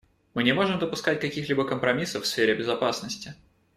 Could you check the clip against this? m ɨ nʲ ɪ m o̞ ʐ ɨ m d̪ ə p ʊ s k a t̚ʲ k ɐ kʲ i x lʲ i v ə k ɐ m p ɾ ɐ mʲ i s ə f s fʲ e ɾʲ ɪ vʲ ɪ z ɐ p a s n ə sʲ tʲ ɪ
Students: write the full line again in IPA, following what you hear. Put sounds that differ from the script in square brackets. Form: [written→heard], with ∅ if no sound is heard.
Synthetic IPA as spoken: m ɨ nʲ ɪ m o̞ ʐ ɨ m d̪ ə p ʊ s k a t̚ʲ k ɐ kʲ i x lʲ i [v→b] ə k [ɐ→ə] m p ɾ ɐ mʲ i s ə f s fʲ e ɾʲ ɪ [vʲ→bʲ] ɪ z ɐ p a s n ə sʲ tʲ ɪ